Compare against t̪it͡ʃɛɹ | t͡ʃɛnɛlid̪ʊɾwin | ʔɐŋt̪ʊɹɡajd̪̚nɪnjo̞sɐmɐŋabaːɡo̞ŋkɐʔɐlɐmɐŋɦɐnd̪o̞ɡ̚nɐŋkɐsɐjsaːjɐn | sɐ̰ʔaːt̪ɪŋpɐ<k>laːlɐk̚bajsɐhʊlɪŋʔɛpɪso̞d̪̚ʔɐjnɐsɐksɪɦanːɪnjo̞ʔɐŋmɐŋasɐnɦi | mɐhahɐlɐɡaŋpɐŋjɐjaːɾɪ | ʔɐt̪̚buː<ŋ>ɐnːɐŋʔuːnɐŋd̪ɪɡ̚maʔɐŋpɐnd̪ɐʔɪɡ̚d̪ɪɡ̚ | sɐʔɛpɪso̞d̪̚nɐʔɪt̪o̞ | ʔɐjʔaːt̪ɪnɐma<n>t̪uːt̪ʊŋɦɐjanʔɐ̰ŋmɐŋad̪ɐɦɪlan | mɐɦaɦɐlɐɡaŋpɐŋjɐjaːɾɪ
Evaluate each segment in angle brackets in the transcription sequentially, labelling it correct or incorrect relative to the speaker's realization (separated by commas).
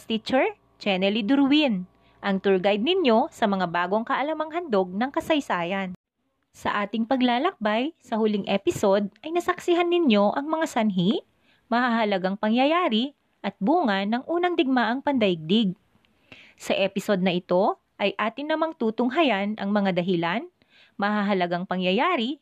incorrect, correct, incorrect